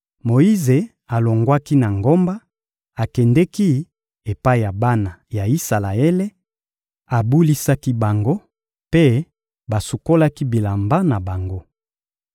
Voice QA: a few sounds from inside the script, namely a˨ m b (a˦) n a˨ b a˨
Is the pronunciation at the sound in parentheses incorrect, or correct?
correct